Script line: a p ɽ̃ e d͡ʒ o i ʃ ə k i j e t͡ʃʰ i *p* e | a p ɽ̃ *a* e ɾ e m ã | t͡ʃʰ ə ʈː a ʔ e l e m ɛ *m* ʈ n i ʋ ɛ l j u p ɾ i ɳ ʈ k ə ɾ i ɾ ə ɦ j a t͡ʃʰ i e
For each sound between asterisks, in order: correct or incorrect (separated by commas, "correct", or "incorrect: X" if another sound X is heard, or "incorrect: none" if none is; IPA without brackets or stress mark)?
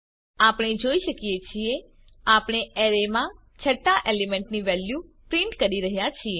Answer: incorrect: none, incorrect: e, incorrect: ɳ